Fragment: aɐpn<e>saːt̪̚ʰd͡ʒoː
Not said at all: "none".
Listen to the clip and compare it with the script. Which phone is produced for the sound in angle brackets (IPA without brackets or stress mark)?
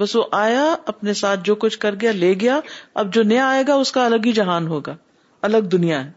e